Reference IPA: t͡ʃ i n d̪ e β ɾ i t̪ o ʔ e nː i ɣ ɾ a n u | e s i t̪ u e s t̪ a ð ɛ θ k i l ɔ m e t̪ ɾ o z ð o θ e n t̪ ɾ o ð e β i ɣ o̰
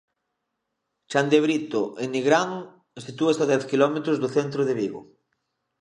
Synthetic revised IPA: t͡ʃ a n d̪ e β ɾ i t̪ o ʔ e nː i ɣ ɾ a n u | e s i t̪ u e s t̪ a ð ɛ θ k i l ɔ m e t̪ ɾ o z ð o θ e n t̪ ɾ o ð e β i ɣ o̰